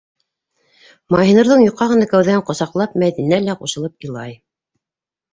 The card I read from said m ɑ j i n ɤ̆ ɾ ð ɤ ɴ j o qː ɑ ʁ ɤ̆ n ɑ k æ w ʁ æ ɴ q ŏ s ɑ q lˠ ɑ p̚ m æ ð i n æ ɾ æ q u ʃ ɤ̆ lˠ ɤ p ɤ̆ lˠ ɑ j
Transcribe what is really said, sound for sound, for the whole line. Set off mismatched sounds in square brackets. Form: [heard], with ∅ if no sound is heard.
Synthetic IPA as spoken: m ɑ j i n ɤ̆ ɾ ð ɤ ɴ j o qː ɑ ʁ ɤ̆ n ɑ k æ w [ð] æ ɴ q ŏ s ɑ q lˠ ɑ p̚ m æ ð i n æ [l] æ q u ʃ ɤ̆ lˠ ɤ p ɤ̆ lˠ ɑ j